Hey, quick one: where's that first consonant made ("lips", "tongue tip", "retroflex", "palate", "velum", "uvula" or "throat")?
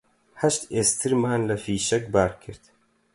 throat